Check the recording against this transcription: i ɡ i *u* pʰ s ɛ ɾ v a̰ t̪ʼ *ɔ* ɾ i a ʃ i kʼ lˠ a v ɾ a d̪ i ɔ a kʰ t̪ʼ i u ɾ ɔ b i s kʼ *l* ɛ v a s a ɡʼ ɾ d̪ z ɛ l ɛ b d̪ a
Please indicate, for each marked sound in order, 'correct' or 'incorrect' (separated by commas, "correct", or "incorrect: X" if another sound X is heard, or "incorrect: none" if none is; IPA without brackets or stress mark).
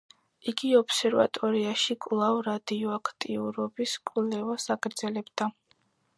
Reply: incorrect: ɔ, correct, correct